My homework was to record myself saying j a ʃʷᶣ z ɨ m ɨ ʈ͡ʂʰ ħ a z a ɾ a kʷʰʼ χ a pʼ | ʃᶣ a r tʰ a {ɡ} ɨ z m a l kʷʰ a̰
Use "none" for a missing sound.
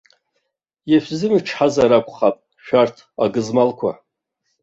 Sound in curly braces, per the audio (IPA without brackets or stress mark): ɡ